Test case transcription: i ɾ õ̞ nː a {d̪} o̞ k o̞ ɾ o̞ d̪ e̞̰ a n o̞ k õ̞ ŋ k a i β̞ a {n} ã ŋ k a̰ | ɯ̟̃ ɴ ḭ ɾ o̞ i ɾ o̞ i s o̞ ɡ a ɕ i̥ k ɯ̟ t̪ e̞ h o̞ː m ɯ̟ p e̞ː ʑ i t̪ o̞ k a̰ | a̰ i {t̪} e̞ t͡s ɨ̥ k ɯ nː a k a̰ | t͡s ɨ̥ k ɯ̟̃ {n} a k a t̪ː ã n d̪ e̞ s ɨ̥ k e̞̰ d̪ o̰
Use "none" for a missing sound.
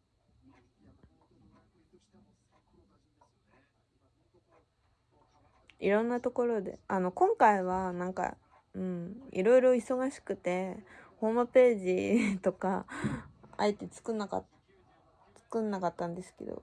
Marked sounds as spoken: t̪, n, t̪, nː

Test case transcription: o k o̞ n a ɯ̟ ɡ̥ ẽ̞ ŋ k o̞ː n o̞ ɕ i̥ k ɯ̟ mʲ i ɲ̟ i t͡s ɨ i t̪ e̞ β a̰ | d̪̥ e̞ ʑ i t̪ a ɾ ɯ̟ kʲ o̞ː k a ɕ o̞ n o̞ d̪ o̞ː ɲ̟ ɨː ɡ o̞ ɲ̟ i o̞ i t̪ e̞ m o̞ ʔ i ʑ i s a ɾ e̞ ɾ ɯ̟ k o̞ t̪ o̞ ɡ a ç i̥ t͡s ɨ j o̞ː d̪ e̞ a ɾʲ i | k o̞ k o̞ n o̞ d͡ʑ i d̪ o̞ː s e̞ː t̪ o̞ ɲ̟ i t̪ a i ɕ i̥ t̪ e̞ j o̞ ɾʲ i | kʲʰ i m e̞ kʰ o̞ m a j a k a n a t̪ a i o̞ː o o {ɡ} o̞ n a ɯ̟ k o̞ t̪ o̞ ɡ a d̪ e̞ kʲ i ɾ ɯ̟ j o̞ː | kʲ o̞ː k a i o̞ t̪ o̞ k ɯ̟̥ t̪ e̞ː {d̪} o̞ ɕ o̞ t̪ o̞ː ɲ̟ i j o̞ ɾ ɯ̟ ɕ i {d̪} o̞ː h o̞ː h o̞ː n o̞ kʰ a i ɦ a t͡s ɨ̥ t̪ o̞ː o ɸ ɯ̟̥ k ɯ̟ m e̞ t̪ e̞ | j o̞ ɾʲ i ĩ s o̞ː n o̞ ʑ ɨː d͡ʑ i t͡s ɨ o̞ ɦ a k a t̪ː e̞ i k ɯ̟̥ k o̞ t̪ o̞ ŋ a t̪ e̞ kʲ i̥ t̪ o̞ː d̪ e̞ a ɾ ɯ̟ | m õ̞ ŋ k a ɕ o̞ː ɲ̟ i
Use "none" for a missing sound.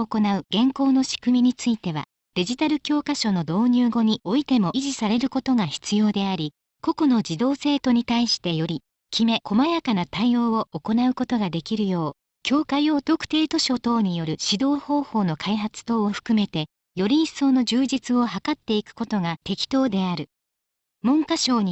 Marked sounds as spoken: k, t̪, d̪

